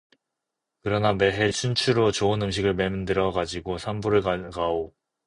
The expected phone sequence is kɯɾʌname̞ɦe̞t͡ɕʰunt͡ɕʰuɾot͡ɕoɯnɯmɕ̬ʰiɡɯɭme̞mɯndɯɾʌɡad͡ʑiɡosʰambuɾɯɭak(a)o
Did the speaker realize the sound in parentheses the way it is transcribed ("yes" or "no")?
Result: yes